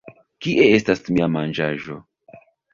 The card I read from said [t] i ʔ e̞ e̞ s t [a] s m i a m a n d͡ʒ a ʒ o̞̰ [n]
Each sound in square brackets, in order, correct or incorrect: incorrect: k, correct, incorrect: none

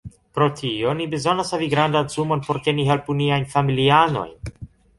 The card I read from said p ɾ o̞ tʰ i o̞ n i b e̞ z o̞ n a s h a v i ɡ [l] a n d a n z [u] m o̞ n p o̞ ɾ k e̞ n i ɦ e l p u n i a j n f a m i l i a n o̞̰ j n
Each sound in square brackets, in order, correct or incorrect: incorrect: ɾ, correct

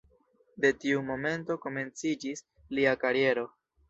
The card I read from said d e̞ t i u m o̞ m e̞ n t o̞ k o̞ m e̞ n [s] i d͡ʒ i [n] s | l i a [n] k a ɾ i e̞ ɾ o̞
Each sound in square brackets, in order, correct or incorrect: incorrect: t͡s, incorrect: none, incorrect: none

